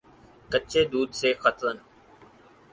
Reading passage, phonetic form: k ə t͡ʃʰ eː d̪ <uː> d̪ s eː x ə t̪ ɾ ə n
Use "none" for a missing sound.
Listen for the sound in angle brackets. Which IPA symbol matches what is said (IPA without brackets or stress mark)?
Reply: uː